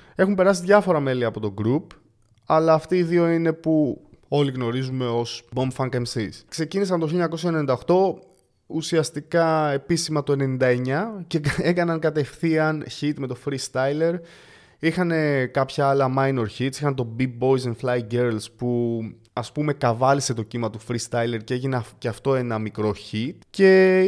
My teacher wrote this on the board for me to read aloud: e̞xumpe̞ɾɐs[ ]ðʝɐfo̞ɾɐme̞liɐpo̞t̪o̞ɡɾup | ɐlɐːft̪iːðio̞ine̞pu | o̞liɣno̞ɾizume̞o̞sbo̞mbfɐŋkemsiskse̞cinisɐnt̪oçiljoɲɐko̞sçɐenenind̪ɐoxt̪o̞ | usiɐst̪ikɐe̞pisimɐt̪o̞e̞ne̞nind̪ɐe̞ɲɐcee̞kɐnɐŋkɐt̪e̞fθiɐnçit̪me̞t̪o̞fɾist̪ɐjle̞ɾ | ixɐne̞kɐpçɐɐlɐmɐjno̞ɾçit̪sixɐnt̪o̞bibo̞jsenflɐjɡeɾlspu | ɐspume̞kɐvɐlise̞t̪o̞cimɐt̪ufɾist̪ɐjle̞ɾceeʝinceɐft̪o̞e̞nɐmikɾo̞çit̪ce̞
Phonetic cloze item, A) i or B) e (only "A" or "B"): A